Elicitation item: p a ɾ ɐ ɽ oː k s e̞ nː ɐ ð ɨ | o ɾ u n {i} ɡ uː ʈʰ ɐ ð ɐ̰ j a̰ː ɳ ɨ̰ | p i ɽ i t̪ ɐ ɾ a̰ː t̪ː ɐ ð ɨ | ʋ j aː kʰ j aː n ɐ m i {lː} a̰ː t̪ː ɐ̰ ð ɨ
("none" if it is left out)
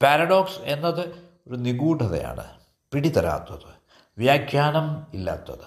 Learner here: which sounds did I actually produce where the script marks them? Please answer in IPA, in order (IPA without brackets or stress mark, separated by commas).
i, lː